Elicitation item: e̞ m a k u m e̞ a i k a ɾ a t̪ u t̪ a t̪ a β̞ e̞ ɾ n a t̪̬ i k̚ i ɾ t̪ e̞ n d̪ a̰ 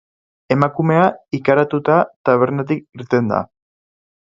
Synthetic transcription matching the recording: e̞ m a k u m e̞ a i k a ɾ a t̪ u t̪ a t̪ a β̞ e̞ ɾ n a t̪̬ i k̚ i ɾ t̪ e̞ n d̪ a̰